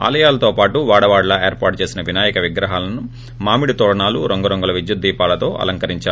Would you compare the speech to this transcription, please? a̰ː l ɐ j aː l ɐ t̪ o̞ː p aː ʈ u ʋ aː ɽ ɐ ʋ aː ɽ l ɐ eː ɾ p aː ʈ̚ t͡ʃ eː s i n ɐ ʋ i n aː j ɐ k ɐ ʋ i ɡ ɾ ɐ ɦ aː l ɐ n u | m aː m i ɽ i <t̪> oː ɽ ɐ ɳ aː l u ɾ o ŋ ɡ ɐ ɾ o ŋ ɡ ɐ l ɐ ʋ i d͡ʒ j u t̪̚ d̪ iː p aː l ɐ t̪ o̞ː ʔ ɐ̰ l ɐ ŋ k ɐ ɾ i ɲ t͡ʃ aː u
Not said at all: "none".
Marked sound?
t̪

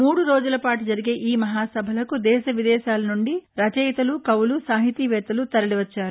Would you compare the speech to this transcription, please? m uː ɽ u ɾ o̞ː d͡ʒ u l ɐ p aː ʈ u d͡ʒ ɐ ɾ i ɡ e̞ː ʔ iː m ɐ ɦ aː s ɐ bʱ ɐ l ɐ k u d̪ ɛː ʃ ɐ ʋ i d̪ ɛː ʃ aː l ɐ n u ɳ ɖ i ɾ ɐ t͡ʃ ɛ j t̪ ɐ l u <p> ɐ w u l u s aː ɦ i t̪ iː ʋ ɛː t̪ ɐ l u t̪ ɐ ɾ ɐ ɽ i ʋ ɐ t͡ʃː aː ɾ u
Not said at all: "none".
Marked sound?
k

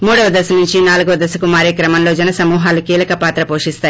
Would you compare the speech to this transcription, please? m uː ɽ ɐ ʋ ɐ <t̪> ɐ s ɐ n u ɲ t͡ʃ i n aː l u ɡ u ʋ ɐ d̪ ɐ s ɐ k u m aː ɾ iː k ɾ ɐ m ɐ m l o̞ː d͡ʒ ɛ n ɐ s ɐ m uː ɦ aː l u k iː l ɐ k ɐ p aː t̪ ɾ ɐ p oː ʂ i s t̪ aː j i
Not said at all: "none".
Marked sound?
d̪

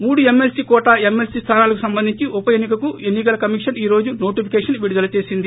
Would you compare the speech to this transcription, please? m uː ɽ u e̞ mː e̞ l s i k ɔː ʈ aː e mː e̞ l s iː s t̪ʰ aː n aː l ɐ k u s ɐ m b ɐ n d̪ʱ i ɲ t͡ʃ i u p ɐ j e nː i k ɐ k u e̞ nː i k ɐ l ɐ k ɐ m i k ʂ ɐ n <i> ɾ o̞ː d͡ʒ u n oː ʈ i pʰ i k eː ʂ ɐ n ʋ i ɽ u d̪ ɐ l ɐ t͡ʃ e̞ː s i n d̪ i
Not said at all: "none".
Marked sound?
iː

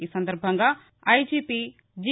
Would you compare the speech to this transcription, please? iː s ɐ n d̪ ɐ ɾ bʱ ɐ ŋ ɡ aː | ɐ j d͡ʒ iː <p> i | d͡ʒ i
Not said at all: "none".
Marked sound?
p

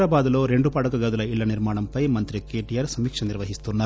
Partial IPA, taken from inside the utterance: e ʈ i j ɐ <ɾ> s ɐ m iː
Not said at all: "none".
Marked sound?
ɾ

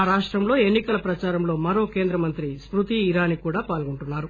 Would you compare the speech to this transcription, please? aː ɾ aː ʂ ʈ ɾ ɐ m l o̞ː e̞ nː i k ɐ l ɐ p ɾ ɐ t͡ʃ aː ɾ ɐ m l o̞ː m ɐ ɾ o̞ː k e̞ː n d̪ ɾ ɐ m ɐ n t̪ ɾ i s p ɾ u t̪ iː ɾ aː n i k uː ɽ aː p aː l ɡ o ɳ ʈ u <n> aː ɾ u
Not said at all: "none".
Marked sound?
nː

